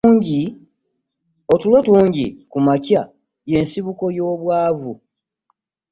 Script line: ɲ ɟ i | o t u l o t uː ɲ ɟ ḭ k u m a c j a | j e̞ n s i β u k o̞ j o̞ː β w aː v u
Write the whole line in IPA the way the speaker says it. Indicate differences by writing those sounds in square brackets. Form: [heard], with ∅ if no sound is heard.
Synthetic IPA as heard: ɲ ɟ i | o t u l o t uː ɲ ɟ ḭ k u m a c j a | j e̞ n s i β u k o̞ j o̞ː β w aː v u